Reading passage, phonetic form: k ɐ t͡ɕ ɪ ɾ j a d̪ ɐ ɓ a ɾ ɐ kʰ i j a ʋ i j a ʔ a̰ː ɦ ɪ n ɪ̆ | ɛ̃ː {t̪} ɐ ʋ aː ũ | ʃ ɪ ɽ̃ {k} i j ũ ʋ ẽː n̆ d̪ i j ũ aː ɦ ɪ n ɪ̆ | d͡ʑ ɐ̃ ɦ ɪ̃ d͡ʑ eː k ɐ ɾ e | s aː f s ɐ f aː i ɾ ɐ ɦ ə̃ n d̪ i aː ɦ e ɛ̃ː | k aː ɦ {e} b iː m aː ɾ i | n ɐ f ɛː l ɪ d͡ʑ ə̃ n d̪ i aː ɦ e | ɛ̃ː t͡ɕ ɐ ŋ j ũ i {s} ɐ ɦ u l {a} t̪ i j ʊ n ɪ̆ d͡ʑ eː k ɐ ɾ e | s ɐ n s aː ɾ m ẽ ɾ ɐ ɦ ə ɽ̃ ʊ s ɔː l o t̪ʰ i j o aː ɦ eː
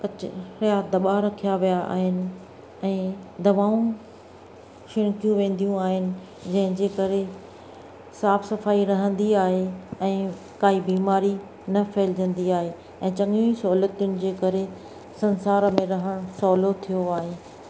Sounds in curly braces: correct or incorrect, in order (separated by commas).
incorrect, correct, incorrect, correct, incorrect